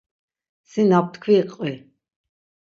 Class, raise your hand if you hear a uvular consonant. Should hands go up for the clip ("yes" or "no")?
yes